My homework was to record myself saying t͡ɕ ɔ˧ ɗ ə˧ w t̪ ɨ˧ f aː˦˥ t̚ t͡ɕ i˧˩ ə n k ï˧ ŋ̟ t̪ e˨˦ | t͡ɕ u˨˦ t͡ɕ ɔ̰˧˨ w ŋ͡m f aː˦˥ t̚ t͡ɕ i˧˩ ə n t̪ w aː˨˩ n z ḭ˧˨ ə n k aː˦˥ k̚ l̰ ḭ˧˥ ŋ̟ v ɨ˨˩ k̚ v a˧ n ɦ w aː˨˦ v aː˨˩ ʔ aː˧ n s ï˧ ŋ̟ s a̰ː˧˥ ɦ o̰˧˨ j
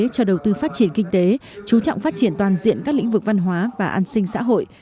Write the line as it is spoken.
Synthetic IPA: t͡ɕ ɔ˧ ɗ ə˨˩ w t̪ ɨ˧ f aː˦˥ t̚ t͡ɕ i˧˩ ə n k ï˧ ŋ̟ t̪ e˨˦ | t͡ɕ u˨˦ t͡ɕ ɔ̰˧˨ w ŋ͡m f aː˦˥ t̚ t͡ɕ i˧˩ ə n t̪ w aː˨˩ n z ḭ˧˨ ə n k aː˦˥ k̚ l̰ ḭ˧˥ ŋ̟ v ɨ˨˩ k̚ v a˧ n ɦ w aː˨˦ v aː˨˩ ʔ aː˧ n s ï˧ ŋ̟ s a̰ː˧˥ ɦ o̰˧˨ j